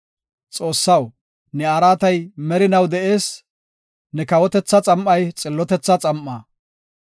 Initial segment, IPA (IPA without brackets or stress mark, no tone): t͡sʼ